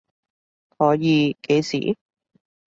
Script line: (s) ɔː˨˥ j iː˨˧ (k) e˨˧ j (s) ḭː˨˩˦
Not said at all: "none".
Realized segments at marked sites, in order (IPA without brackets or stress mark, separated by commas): h, k, s